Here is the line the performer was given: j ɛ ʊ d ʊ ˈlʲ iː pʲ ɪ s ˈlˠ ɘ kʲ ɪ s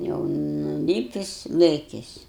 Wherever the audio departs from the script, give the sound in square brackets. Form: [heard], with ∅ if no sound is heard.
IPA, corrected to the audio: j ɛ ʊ [n] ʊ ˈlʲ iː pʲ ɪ s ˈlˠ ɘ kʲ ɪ s